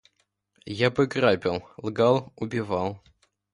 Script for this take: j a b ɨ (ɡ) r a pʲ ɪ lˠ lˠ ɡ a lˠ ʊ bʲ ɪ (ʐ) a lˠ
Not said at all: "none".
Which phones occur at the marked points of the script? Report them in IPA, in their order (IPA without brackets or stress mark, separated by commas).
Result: ɡ, v